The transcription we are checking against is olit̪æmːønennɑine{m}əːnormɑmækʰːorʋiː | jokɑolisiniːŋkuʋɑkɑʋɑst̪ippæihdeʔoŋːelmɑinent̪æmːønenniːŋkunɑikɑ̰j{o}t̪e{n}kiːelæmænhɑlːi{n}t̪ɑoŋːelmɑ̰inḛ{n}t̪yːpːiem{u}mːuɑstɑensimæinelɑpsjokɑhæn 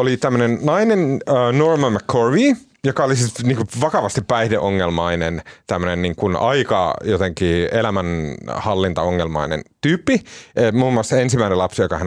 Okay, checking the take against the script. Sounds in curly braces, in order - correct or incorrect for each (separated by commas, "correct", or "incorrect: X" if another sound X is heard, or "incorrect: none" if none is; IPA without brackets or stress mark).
incorrect: n, correct, incorrect: ŋ, correct, correct, incorrect: uː